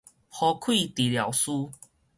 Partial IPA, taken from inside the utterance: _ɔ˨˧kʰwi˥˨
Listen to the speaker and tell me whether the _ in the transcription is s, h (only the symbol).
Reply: h